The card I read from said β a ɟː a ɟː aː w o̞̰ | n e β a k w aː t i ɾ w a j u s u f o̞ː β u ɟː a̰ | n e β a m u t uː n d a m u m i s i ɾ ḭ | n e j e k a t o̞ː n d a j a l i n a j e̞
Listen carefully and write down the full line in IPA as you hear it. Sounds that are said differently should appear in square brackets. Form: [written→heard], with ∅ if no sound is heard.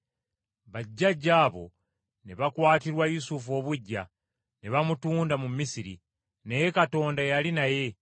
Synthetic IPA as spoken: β a ɟː a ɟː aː [w→β] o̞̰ | n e β a k w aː t i ɾ w a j u s u f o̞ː β u ɟː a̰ | n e β a m u t uː n d a m u m i s i ɾ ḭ | n e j e k a t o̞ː n d a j a l i n a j e̞